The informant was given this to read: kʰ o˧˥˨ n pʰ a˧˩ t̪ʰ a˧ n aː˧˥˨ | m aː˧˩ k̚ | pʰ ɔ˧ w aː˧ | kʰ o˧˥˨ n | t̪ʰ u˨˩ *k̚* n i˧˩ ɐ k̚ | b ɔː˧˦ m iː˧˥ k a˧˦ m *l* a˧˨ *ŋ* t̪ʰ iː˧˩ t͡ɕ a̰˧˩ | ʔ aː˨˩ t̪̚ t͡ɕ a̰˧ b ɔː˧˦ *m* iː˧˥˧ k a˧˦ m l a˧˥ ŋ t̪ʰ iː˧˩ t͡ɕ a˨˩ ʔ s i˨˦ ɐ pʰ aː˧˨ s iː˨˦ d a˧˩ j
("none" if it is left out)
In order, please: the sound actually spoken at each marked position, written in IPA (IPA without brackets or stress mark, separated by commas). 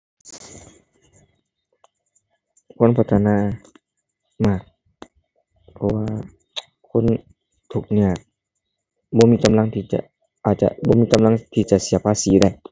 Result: k̚, l, ŋ, m